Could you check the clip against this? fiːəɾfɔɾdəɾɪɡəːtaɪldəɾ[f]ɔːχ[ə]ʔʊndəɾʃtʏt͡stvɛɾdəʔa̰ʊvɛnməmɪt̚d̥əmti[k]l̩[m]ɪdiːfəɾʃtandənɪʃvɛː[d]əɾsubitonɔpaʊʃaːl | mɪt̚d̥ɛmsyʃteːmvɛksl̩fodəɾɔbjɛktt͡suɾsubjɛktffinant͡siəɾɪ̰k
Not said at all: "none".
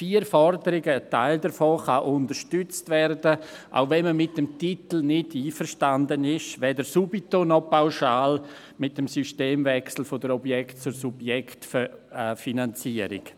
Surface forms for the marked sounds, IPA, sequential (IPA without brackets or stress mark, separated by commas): f, a, t, n, d